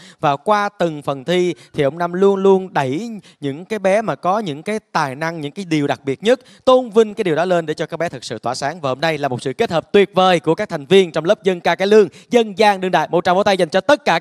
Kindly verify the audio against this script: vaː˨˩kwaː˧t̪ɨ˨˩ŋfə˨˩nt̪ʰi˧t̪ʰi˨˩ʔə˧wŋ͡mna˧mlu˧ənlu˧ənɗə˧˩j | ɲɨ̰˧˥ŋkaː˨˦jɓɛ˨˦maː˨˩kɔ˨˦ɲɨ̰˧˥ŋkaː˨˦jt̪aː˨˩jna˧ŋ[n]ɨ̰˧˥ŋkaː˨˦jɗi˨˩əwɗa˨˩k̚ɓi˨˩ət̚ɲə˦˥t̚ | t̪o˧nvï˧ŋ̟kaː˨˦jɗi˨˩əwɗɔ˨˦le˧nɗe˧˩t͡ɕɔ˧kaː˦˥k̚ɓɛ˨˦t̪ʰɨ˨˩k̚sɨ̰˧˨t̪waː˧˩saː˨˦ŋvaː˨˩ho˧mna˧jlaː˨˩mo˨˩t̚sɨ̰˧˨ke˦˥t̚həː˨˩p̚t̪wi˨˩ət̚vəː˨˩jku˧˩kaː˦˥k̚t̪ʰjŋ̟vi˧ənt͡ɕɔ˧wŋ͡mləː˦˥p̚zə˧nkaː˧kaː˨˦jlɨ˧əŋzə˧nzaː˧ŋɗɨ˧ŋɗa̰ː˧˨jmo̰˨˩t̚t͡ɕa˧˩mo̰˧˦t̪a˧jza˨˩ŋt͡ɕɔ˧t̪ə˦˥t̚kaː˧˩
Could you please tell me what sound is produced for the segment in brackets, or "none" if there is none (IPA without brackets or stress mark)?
ɲ